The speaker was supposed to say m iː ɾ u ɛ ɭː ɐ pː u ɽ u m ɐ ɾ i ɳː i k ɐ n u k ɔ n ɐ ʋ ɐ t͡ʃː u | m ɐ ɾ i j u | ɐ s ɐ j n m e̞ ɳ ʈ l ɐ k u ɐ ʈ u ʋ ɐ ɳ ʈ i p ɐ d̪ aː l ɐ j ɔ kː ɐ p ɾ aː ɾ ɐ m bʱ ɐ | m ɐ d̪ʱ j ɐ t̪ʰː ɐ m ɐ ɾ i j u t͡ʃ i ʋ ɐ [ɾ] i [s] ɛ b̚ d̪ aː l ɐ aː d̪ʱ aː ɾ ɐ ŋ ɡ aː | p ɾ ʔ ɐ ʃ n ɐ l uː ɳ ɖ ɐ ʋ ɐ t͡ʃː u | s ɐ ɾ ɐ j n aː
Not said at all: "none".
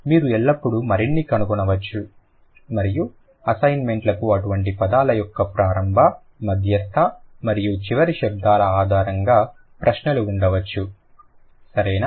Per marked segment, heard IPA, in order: ɾ, ʃ

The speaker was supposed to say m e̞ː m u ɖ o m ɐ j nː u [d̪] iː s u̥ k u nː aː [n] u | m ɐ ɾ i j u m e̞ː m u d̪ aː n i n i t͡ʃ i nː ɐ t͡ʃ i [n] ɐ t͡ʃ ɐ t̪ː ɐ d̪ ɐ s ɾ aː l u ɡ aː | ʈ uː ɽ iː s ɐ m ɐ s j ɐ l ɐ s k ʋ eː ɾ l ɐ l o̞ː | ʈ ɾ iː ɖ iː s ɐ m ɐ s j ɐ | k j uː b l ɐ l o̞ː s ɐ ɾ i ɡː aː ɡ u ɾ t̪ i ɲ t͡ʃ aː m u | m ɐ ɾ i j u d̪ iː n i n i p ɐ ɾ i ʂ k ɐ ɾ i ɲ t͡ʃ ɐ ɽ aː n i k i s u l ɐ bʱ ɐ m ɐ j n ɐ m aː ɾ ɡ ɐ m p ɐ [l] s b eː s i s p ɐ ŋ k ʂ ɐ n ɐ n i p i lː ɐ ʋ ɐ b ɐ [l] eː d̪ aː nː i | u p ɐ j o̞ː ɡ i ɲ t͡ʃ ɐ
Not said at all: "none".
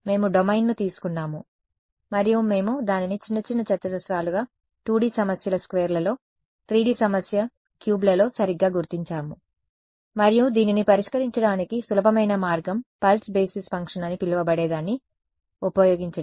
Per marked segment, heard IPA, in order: t̪, m, nː, l, ɽ

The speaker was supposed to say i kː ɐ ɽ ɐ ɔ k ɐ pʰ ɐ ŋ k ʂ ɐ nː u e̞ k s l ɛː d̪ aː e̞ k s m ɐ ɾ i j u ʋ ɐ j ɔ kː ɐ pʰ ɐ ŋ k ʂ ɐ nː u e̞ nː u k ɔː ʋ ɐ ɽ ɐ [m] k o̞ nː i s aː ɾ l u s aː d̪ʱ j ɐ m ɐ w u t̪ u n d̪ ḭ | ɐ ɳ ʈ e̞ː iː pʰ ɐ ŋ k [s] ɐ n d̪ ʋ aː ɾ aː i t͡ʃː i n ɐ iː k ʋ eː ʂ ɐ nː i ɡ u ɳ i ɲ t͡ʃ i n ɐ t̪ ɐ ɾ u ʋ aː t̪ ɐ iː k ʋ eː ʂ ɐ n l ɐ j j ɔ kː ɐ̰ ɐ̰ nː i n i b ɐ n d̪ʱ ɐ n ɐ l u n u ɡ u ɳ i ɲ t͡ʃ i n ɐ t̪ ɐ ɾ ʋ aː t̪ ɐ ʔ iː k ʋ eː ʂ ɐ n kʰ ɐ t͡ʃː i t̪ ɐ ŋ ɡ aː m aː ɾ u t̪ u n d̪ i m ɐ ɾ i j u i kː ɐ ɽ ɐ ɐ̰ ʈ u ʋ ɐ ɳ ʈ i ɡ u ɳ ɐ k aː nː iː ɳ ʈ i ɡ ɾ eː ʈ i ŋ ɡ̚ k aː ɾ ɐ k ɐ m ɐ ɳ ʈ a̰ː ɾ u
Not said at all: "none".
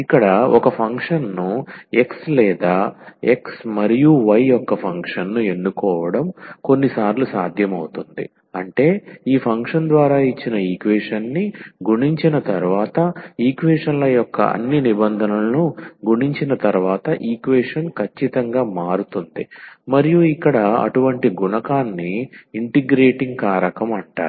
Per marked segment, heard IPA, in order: m, ʂ

